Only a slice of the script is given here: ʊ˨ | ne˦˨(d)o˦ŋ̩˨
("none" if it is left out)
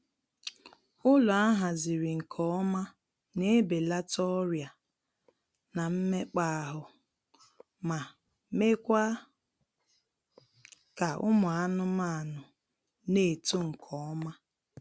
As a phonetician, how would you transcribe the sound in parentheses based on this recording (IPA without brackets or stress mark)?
t